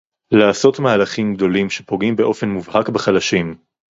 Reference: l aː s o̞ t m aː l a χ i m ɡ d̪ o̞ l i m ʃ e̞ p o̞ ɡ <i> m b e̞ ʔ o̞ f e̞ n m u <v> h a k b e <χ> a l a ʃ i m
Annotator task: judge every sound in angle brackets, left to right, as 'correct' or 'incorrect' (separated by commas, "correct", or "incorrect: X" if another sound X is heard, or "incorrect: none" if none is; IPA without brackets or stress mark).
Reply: correct, correct, correct